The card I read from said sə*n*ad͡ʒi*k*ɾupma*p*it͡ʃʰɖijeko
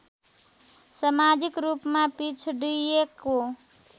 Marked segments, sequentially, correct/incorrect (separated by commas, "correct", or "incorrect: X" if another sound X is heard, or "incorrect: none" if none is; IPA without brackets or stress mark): incorrect: m, correct, correct